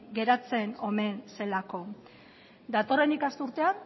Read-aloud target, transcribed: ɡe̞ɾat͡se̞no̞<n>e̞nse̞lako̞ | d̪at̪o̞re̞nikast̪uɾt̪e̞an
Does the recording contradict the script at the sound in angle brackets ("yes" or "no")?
yes